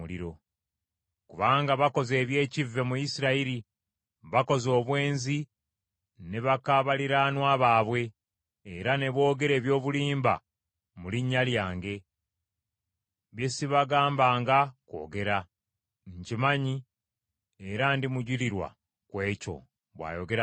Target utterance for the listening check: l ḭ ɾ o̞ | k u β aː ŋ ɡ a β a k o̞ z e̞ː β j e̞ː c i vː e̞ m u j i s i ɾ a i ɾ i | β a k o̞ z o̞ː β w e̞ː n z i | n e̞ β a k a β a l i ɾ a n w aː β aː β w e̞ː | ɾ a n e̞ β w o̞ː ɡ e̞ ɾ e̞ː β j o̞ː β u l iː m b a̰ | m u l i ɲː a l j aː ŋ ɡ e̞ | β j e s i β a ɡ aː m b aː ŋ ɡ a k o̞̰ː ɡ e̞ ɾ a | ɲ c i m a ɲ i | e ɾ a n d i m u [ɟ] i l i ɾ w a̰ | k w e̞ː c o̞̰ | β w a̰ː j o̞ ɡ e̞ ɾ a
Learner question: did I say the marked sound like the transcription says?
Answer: yes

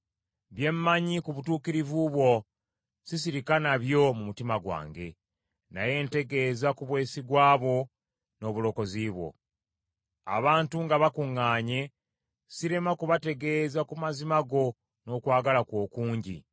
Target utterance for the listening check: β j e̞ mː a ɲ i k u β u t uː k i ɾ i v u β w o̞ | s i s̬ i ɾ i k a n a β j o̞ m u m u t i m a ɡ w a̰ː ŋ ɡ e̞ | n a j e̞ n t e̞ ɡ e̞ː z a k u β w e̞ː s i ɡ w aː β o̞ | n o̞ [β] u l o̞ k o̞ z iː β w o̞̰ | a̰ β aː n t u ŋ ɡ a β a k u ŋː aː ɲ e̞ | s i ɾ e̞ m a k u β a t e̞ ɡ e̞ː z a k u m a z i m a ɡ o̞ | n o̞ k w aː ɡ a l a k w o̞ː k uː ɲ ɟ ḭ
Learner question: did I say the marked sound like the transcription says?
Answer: yes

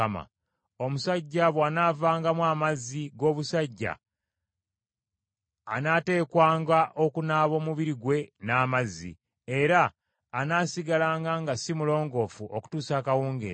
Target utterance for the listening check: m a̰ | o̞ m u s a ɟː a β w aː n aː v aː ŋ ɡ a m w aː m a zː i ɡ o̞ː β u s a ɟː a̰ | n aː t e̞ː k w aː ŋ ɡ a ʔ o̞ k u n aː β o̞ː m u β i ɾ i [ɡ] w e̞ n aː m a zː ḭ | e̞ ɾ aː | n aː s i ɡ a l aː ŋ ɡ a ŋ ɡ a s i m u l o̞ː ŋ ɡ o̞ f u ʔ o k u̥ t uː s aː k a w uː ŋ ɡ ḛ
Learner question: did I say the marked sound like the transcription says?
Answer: yes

